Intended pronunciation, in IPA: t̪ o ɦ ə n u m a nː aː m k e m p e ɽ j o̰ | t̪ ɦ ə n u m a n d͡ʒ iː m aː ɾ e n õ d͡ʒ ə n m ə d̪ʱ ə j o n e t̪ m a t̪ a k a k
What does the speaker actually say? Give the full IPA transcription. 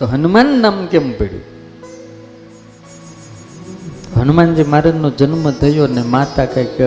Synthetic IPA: t̪ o ɦ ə n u m a nː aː m k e m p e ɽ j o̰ | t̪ ɦ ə n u m a n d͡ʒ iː m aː ɾ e n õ d͡ʒ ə n m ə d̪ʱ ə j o n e m a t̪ a k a k